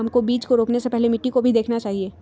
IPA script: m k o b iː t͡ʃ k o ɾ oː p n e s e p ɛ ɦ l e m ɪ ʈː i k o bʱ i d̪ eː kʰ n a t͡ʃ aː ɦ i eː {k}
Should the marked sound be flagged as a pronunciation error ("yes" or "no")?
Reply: yes